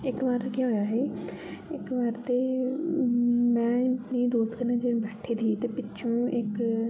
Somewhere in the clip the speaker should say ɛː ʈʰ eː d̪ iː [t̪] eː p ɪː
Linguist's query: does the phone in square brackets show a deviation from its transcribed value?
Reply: no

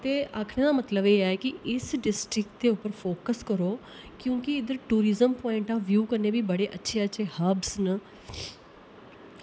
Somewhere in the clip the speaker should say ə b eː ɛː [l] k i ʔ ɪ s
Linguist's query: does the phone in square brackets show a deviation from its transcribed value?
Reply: yes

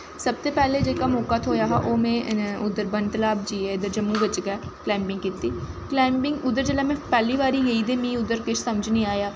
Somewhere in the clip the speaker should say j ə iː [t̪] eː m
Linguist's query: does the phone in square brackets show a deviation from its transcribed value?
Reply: yes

